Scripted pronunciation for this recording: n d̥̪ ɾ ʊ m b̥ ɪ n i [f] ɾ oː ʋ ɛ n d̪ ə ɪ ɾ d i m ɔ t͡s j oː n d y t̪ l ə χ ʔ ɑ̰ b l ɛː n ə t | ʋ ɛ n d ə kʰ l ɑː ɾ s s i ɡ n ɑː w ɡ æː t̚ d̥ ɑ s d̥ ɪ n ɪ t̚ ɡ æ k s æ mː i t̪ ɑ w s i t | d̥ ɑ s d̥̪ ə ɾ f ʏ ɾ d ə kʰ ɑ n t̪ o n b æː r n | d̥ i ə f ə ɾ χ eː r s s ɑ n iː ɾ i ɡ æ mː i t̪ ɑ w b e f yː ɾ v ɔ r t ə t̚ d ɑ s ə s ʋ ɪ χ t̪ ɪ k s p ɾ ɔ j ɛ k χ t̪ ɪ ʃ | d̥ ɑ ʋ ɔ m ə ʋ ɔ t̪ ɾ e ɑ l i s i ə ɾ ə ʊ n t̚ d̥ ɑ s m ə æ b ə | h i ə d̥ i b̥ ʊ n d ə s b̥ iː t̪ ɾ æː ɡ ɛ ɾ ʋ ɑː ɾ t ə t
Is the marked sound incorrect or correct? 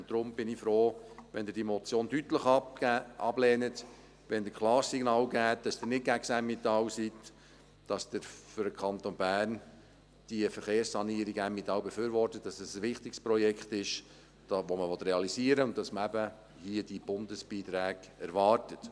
correct